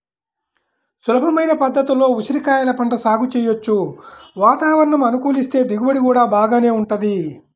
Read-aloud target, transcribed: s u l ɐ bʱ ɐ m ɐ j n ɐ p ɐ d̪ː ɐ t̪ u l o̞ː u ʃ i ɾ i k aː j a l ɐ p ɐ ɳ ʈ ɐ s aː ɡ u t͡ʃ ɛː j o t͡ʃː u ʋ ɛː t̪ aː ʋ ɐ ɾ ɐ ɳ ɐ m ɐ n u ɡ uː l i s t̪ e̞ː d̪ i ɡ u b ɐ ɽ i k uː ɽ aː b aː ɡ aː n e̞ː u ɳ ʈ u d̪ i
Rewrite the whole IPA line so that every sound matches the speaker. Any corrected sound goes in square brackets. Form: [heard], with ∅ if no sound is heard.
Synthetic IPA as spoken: s u l ɐ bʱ ɐ m ɐ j n ɐ p ɐ d̪ː ɐ t̪ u l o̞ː u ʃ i ɾ i k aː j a l ɐ p ɐ ɳ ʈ ɐ s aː ɡ u t͡ʃ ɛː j o t͡ʃː u ʋ [aː] t̪ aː ʋ ɐ ɾ ɐ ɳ ɐ m ɐ n u [k] uː l i s t̪ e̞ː d̪ i ɡ u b ɐ ɽ i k uː ɽ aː b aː ɡ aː n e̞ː u ɳ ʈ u d̪ i

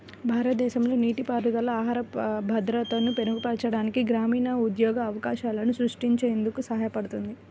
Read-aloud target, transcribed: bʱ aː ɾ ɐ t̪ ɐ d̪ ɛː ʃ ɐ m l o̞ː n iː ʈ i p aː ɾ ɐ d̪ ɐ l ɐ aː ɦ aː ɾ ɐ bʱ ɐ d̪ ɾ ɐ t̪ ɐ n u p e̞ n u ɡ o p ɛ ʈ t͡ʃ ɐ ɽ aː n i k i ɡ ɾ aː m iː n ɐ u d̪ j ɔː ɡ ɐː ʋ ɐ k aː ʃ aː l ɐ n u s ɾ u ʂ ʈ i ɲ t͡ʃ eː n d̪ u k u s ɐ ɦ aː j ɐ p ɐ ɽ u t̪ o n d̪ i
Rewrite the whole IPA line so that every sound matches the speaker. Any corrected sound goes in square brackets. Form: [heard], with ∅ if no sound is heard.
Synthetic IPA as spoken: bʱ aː ɾ ɐ t̪ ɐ d̪ ɛː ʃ ɐ m l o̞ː n iː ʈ i p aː ɾ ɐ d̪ ɐ l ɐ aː ɦ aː ɾ ɐ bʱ ɐ d̪ ɾ ɐ t̪ ɐ n u p e̞ n u ɡ [u] p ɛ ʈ t͡ʃ ɐ ɽ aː n i k i ɡ ɾ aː m iː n ɐ u d̪ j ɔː ɡ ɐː ʋ ɐ k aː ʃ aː l ɐ n u s ɾ u ʂ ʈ i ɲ t͡ʃ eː n d̪ u k u s ɐ ɦ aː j ɐ p ɐ ɽ u t̪ [u] n d̪ i

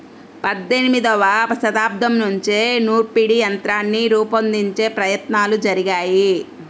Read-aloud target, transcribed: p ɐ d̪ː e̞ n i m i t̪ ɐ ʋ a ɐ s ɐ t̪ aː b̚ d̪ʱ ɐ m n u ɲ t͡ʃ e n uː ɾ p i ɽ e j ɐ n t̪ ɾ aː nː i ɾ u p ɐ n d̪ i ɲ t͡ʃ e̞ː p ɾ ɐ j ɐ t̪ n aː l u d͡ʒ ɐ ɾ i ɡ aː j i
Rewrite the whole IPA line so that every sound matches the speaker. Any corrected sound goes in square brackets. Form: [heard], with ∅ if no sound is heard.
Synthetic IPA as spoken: p ɐ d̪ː e̞ n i m i [d̪] ɐ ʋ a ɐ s ɐ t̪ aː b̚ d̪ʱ ɐ m n u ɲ t͡ʃ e n uː ɾ p i ɽ [i] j ɐ n t̪ ɾ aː nː i ɾ [uː] p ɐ n d̪ i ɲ t͡ʃ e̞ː p ɾ ɐ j ɐ t̪ n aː l u d͡ʒ ɐ ɾ i ɡ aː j i

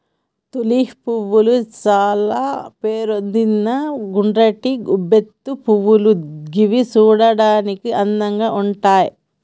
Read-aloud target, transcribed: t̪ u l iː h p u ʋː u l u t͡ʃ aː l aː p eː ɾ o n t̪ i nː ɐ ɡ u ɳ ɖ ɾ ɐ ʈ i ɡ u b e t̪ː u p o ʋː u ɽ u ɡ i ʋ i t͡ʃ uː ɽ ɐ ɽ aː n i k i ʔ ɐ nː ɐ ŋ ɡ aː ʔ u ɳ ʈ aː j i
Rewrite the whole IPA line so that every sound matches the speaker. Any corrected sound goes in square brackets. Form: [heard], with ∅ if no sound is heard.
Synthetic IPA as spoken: t̪ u l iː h p u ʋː u l u t͡ʃ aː l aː p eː ɾ o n [d̪] i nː ɐ ɡ u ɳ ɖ ɾ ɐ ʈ i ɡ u b e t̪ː u p [u] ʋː u [l] u ɡ i ʋ i t͡ʃ uː ɽ ɐ ɽ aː n i k i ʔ ɐ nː ɐ ŋ ɡ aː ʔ u ɳ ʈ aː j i

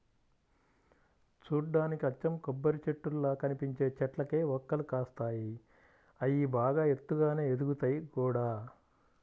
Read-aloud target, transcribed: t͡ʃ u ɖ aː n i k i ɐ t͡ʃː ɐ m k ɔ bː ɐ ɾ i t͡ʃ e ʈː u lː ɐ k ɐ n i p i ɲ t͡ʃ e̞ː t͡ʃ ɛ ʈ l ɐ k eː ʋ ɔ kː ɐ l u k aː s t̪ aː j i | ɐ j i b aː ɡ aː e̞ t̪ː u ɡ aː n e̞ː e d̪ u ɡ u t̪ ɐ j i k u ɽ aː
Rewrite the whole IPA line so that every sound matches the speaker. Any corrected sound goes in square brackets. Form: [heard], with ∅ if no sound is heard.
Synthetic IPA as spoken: t͡ʃ [uː] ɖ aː n i k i ɐ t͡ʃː ɐ m k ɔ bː ɐ ɾ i t͡ʃ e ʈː u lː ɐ k ɐ n i p i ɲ t͡ʃ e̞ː t͡ʃ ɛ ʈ l ɐ k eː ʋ ɔ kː ɐ l u k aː s t̪ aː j i | ɐ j i b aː ɡ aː e̞ t̪ː u ɡ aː n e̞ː e d̪ u ɡ u t̪ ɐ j i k [uː] ɽ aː

